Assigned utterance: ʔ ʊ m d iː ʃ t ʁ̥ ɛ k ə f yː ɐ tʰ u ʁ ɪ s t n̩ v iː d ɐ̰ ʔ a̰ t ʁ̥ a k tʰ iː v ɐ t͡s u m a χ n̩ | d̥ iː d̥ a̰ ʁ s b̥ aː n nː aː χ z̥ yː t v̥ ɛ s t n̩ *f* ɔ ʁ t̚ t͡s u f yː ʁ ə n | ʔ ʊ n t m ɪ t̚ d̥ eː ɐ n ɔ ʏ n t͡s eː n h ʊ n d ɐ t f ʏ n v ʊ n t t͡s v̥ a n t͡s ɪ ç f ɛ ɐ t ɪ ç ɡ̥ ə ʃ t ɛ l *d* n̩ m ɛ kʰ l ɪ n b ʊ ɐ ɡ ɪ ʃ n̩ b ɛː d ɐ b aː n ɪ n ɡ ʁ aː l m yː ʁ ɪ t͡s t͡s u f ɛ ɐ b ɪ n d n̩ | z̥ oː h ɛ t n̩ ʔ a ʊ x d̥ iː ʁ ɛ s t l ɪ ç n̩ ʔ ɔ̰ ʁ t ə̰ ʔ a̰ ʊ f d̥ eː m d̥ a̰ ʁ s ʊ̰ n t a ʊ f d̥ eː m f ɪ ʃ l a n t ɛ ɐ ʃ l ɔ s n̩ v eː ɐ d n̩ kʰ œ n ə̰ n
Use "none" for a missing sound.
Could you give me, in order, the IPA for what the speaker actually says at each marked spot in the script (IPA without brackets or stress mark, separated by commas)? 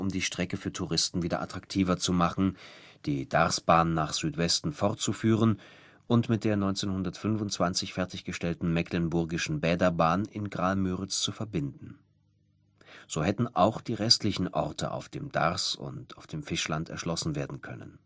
f, t